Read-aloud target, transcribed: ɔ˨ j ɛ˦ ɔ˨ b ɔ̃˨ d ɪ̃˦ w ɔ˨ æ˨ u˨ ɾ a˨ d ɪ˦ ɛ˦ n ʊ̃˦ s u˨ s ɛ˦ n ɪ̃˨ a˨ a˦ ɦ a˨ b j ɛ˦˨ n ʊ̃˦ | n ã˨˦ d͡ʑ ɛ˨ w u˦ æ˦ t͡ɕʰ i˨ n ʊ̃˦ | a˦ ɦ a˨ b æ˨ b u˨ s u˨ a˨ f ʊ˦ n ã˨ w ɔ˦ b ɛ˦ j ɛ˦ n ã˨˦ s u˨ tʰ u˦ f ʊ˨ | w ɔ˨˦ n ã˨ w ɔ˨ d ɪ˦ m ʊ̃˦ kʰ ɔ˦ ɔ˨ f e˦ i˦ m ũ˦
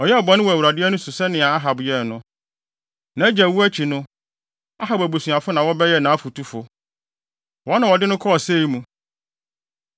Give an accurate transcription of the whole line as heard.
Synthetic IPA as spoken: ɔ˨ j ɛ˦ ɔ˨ b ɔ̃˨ n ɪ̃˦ w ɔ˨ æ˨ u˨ ɾ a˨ d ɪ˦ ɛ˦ n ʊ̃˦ s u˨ s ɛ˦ n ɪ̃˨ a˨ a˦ ɦ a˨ b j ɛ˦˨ n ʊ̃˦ | n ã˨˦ d͡ʑ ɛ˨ w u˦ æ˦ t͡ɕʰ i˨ n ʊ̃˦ | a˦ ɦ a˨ b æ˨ b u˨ s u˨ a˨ f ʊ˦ n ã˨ w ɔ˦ b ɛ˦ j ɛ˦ n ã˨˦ f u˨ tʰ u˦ f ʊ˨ | w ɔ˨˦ n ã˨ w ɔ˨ d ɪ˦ n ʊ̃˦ kʰ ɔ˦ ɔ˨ s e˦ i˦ m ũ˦

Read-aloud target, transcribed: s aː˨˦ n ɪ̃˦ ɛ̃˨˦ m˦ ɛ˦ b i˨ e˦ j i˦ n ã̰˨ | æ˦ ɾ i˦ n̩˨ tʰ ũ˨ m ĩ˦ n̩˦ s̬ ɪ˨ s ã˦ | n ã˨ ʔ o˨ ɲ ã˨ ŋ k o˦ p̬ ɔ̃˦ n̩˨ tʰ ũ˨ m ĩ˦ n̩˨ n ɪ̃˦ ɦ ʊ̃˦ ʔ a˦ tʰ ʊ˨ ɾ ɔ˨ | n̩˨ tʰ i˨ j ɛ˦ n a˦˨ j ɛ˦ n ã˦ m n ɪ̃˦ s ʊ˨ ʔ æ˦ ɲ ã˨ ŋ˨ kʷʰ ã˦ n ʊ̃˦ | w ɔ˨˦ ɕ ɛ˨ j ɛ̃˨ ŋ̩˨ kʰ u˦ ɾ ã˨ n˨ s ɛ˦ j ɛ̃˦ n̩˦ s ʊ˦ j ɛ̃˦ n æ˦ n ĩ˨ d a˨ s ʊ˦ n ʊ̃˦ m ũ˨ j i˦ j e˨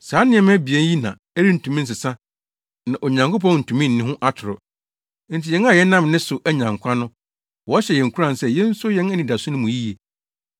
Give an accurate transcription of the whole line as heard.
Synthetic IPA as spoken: s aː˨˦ n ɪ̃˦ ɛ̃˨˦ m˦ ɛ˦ b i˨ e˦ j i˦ n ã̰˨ | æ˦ ɾ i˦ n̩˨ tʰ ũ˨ m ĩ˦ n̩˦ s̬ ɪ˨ s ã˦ | n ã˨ ʔ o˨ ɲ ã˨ ŋ k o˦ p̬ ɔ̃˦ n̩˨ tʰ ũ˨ m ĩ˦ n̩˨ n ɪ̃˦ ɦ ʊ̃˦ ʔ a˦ tʰ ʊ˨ ɾ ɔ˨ | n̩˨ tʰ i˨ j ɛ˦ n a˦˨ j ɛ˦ n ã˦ m n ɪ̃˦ s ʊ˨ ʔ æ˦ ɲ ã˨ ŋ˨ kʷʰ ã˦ n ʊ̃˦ | w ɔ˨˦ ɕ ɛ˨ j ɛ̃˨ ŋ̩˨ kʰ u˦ ɾ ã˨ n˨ s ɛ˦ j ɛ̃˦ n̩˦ s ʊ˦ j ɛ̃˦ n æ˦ n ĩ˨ d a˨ s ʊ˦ n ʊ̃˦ m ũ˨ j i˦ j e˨

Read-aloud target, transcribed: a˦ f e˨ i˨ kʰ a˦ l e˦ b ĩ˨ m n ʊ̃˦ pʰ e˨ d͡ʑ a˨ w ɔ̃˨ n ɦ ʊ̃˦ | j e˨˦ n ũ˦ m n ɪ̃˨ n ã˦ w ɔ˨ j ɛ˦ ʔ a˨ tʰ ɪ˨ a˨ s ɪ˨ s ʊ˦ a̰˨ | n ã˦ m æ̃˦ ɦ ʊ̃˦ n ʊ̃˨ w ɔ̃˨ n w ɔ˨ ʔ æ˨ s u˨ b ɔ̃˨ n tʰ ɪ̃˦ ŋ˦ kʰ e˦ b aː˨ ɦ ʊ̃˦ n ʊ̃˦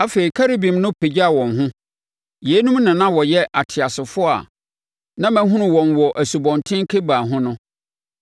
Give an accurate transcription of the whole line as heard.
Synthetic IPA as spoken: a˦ f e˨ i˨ kʰ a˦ ɾ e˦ b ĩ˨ m n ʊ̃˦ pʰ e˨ d͡ʑ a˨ w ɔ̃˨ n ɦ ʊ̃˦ | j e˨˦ n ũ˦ m n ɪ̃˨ n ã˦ w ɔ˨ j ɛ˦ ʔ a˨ tʰ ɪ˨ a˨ s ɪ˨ f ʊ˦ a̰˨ | n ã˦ m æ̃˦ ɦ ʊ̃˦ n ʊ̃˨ w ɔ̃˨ n w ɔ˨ ʔ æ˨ s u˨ b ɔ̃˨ n tʰ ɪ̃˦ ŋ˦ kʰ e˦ b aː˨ ɦ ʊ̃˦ n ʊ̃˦

